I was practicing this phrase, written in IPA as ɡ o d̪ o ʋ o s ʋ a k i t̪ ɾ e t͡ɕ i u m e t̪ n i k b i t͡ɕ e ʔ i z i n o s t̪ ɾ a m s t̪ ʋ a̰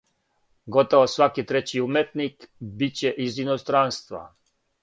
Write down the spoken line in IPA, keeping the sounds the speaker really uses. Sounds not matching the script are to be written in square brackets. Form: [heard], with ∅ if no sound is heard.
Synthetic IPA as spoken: ɡ o [t̪] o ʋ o s ʋ a k i t̪ ɾ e t͡ɕ i u m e t̪ n i k b i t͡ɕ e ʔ i z i n o s t̪ ɾ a [n] s t̪ ʋ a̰